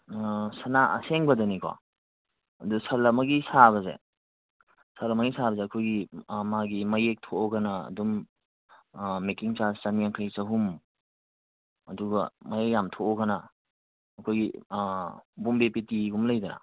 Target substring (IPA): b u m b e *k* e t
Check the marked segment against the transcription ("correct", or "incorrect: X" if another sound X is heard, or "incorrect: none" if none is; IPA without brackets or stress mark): incorrect: p